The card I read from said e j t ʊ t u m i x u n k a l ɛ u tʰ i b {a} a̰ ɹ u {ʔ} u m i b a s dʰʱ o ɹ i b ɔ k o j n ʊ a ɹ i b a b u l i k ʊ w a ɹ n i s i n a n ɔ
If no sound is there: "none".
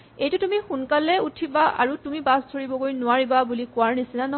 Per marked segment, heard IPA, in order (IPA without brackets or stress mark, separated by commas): a, t